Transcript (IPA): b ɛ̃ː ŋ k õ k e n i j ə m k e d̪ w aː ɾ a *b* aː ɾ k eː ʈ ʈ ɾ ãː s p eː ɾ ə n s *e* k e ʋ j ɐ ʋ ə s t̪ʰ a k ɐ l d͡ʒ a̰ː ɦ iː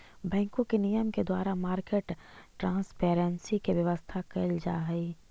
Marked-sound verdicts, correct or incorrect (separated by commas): incorrect, incorrect